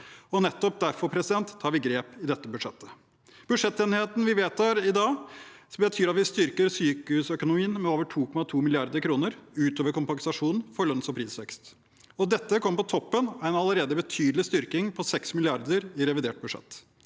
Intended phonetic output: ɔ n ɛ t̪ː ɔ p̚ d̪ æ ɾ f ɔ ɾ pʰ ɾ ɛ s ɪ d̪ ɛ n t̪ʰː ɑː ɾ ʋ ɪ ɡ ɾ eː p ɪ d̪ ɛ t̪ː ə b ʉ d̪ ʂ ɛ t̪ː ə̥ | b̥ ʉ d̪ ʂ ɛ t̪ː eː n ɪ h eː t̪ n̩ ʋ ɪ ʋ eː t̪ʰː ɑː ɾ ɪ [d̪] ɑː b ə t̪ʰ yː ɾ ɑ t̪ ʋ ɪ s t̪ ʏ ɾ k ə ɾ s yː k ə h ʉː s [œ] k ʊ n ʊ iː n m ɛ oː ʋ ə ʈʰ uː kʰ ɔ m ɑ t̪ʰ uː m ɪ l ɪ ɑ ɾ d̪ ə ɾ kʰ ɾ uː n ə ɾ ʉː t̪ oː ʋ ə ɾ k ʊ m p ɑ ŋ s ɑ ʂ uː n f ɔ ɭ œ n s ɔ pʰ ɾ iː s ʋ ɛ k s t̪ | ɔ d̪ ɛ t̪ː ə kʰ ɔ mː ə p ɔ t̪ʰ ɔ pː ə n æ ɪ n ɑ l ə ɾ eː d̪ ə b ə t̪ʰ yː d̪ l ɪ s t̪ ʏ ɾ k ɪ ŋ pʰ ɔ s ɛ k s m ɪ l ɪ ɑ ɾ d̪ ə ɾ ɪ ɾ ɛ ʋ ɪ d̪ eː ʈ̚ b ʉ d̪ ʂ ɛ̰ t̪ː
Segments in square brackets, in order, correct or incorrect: correct, correct

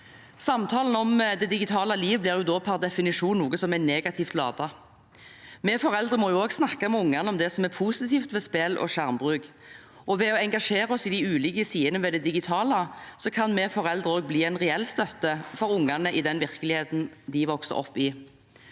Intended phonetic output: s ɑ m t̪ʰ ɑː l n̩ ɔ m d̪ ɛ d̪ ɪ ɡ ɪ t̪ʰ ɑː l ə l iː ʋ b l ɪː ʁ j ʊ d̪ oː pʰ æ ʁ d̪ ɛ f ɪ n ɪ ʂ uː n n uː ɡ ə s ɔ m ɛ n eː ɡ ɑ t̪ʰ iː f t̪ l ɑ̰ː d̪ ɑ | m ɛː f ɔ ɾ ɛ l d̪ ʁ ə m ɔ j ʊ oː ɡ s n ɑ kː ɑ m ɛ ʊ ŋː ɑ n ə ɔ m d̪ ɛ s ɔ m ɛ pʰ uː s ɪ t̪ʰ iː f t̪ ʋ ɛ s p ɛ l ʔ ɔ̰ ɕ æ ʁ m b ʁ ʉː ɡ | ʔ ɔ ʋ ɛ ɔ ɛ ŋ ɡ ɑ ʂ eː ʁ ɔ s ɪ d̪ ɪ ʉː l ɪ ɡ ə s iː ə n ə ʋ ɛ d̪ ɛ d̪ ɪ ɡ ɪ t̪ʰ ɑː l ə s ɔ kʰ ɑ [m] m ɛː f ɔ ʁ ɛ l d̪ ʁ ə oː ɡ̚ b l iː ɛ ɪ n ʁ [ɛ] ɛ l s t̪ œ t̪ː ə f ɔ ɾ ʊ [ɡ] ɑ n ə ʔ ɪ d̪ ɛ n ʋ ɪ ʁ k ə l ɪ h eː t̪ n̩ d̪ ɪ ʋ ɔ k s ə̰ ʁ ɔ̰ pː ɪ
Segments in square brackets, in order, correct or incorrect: incorrect: n, correct, incorrect: ŋ

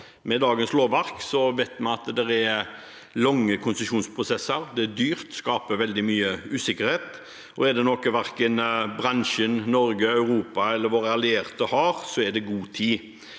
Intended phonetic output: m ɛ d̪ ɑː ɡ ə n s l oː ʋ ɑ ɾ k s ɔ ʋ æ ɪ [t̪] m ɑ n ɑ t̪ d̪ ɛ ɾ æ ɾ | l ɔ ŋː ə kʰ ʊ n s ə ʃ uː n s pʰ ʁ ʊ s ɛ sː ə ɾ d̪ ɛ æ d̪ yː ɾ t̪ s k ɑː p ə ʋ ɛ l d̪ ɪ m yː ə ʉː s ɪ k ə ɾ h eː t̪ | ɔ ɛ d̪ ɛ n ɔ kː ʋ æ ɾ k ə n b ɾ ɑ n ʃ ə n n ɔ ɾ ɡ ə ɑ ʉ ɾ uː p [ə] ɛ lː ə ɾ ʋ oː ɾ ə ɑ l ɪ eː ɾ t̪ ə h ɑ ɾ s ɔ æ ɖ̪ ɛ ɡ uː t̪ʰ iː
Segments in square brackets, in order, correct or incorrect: correct, incorrect: ɑ

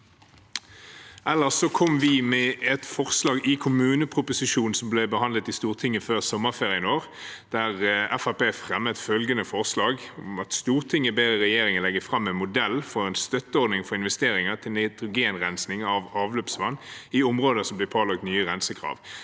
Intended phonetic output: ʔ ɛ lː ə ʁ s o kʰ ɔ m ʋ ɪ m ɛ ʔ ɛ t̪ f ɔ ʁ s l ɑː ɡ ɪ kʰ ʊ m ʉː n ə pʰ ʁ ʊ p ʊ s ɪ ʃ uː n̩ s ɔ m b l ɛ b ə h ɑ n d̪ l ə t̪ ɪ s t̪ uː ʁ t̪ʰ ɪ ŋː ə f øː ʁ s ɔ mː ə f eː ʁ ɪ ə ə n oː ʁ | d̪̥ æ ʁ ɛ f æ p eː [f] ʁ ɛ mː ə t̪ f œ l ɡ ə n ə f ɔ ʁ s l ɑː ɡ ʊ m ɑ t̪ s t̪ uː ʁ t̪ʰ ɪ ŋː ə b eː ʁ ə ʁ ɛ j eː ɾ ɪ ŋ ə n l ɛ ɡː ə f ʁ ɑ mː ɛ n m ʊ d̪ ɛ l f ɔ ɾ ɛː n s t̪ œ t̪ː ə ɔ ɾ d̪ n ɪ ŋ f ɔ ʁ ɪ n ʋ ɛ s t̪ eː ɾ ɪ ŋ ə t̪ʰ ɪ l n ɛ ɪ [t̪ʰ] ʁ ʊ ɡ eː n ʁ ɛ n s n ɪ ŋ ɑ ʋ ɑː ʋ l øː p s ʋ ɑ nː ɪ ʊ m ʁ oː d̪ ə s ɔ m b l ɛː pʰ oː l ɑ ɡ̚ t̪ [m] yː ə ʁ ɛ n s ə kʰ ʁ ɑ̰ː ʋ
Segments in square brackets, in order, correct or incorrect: correct, incorrect: t̪, incorrect: n

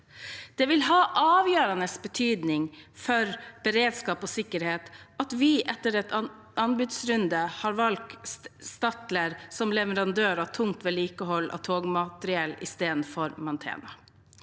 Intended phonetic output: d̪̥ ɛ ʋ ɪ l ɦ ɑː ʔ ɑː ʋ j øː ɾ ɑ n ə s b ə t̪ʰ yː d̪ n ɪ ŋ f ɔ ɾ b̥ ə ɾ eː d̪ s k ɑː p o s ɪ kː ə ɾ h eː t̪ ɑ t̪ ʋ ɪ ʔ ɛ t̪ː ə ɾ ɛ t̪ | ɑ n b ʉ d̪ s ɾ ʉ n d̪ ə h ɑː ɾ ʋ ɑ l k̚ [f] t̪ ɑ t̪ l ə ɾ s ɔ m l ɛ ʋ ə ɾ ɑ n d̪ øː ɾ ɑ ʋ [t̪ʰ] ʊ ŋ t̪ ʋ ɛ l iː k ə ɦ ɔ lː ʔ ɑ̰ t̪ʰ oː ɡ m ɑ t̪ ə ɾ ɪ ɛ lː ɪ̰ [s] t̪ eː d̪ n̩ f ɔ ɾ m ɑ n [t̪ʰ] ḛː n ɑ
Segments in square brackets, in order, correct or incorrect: incorrect: s, correct, correct, correct

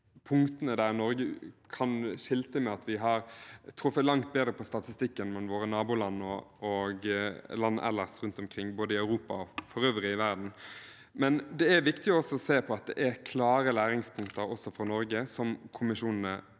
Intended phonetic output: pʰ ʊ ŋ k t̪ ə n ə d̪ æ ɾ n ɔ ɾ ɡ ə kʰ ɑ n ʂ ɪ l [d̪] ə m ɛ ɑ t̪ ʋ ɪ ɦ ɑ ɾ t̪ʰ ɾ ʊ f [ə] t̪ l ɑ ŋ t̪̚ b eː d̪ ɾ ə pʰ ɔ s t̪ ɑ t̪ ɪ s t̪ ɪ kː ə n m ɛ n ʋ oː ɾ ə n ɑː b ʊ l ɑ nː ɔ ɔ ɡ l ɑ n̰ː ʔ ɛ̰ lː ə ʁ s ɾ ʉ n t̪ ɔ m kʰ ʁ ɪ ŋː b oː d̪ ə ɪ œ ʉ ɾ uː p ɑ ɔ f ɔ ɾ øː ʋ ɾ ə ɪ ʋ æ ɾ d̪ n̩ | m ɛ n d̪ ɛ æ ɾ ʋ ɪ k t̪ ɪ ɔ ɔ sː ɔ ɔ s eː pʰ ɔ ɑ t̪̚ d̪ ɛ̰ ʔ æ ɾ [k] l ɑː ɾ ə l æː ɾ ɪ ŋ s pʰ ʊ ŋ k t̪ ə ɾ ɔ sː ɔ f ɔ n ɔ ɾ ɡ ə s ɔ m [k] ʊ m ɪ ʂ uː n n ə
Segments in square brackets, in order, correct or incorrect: incorrect: t̪, correct, incorrect: kʰ, incorrect: kʰ

